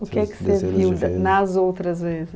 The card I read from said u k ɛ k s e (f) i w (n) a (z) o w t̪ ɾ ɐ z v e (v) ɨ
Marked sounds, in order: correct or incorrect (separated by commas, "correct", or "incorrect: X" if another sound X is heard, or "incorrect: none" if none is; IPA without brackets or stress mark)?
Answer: incorrect: v, correct, correct, incorrect: z